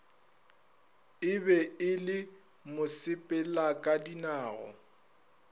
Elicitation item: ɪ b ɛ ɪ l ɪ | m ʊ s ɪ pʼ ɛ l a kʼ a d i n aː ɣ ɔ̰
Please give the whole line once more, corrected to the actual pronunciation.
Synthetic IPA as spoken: ɪ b ɛ ɪ l ɪ | m ʊ s ɪ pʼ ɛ l a kʼ a d i n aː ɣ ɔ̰